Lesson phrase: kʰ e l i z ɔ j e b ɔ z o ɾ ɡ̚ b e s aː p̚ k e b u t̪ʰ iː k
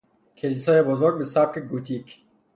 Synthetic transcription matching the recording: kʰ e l i s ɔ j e b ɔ z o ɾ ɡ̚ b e s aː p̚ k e ɡ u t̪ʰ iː k